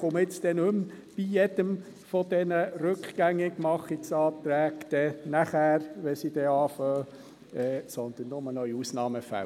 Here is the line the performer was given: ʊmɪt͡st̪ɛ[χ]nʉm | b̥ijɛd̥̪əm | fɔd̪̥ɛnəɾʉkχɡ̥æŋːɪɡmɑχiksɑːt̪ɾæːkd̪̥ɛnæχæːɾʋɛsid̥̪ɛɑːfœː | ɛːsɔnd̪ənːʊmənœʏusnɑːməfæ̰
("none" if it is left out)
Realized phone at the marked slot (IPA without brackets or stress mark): none